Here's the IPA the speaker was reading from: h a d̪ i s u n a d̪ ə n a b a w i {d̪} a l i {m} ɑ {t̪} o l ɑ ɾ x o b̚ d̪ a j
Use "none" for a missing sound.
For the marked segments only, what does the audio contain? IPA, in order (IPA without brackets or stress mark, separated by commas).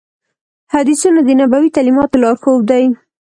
t̪, m, t̪